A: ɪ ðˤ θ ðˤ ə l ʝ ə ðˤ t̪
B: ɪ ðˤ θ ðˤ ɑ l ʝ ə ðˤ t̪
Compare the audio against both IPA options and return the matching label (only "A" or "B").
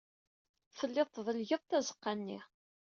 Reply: A